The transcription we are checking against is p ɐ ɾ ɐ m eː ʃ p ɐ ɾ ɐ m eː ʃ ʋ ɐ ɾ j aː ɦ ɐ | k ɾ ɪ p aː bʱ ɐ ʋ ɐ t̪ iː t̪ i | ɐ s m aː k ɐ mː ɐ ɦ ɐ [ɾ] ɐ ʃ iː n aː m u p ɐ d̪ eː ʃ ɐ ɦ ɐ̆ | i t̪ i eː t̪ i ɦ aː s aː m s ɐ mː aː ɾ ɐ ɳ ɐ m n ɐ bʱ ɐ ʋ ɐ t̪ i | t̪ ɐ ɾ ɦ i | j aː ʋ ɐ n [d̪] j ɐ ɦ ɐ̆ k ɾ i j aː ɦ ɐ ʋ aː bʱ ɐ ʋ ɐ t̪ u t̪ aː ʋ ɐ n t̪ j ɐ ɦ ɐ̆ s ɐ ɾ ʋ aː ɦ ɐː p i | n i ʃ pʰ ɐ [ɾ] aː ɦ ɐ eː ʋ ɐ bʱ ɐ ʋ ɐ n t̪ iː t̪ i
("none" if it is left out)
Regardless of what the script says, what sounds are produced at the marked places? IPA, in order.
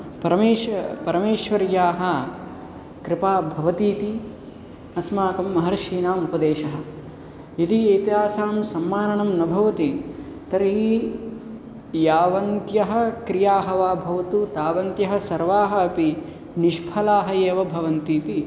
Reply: ɾ, t̪, l

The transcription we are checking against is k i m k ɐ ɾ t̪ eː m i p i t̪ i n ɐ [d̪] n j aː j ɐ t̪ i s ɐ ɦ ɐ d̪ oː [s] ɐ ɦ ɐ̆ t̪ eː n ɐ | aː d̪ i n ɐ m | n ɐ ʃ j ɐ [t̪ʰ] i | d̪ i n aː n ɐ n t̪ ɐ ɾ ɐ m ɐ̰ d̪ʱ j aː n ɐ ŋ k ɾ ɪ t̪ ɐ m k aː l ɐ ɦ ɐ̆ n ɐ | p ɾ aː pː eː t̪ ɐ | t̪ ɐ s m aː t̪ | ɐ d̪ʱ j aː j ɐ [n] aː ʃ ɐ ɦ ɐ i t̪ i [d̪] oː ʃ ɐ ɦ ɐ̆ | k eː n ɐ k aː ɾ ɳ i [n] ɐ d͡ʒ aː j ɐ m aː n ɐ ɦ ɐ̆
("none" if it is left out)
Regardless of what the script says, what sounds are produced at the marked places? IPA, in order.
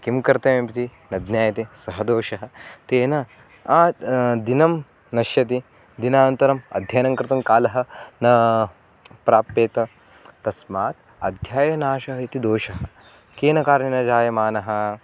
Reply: d̪, ʃ, t̪, n, d̪, n

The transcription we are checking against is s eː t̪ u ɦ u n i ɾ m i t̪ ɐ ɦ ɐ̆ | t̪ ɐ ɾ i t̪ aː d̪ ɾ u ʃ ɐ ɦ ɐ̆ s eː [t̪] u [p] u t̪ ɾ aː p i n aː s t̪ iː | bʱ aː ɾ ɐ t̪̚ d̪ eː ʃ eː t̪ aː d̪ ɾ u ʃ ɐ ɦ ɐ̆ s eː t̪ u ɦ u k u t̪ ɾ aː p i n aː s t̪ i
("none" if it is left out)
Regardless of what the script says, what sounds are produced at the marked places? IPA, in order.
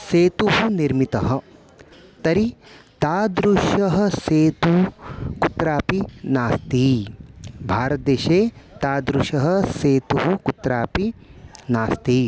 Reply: t̪, k

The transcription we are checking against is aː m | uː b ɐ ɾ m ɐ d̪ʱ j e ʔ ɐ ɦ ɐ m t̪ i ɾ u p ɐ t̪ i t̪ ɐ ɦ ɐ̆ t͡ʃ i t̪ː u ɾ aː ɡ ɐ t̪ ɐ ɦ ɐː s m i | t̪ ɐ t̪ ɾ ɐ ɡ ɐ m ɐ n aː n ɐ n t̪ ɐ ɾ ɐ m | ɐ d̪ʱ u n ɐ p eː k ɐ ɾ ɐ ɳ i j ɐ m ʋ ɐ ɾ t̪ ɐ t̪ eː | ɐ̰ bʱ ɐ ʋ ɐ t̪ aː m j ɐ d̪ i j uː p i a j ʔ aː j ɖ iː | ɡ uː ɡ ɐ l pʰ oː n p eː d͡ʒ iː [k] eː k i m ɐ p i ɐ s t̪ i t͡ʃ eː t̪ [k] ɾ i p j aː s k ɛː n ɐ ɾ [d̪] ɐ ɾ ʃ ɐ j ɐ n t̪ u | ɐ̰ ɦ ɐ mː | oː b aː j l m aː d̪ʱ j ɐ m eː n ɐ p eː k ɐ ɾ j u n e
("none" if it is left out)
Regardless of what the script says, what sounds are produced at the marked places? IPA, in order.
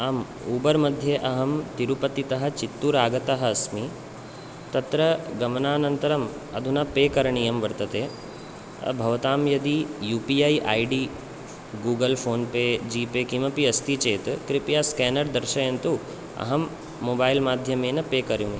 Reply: p, k, d̪

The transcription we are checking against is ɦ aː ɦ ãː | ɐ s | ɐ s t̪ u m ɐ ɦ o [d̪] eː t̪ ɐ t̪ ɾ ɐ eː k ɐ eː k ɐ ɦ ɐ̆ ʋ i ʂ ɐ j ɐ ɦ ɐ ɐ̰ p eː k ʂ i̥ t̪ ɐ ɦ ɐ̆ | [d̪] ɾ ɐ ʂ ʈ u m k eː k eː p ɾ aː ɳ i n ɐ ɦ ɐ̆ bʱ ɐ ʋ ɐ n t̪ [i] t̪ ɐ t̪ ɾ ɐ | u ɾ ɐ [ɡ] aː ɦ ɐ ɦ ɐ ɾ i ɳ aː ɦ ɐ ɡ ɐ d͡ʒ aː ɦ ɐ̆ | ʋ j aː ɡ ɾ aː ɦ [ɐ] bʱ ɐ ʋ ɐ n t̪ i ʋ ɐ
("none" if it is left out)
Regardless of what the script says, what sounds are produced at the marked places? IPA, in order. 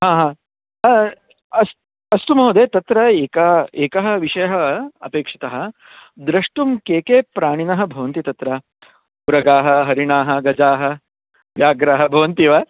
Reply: d̪, d̪, i, ɡ, ɐ

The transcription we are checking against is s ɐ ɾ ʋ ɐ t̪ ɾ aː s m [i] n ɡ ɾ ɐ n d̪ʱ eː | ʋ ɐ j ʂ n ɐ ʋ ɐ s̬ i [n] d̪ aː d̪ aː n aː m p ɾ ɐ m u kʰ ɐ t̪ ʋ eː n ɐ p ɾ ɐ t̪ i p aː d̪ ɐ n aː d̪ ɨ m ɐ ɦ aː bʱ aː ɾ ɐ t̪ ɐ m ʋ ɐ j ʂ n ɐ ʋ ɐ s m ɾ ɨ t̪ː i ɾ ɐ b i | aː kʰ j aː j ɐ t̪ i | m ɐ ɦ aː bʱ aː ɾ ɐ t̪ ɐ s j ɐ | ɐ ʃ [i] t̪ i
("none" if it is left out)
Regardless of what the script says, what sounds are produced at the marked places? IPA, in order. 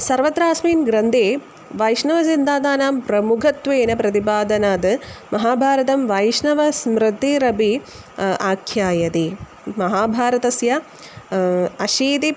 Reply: iː, n, iː

